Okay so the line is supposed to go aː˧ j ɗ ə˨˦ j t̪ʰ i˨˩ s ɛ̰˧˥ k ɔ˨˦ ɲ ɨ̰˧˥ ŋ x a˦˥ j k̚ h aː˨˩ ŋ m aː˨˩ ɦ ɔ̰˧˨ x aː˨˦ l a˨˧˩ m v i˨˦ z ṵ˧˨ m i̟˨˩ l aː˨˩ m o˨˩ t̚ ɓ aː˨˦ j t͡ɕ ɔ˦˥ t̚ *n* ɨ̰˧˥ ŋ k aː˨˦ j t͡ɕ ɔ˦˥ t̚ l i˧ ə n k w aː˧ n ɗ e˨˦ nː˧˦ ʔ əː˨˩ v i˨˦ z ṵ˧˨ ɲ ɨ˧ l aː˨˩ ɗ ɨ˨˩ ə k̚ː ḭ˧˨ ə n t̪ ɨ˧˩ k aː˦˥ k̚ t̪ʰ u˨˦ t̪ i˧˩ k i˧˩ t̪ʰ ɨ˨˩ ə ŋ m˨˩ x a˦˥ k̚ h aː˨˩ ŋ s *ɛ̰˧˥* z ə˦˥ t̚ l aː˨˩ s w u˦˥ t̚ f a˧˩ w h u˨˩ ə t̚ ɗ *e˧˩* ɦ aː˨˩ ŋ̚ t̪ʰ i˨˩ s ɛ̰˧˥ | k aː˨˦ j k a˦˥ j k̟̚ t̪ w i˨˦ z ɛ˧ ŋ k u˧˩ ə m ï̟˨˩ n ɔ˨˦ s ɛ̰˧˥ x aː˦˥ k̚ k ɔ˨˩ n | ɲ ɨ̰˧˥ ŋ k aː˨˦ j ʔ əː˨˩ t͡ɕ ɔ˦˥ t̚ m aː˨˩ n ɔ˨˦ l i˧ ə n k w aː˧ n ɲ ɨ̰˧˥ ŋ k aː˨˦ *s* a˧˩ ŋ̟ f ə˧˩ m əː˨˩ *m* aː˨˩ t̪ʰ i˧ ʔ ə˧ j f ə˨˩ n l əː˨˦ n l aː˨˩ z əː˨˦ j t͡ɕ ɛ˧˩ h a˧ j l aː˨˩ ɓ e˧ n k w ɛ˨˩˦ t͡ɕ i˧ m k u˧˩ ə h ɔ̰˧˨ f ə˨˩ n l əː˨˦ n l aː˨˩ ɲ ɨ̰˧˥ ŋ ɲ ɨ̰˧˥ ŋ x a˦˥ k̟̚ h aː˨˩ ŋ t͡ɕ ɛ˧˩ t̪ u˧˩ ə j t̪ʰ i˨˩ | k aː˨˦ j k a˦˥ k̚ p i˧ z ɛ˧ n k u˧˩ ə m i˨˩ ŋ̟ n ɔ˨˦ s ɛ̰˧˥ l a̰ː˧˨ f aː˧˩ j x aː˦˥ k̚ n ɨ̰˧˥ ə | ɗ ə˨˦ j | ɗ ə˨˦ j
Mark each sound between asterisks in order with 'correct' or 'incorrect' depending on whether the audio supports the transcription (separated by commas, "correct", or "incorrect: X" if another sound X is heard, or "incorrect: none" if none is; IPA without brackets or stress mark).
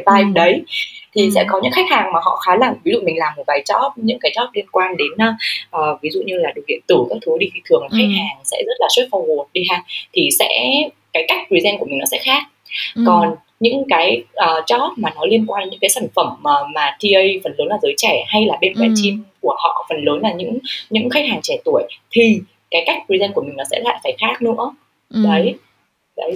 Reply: incorrect: ɲ, correct, incorrect: i˧˩, correct, correct